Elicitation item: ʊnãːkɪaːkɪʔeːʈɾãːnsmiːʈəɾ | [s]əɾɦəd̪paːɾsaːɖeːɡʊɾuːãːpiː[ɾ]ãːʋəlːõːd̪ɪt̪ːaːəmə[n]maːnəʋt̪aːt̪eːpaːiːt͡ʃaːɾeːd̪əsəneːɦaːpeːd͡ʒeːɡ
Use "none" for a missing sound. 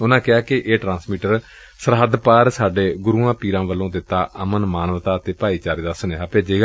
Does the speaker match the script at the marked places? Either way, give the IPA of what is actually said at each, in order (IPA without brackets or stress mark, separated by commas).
s, ɾ, n